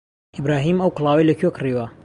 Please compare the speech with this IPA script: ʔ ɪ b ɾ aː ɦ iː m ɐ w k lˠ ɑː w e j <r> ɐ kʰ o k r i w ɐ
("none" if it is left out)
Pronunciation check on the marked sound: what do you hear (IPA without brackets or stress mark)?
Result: l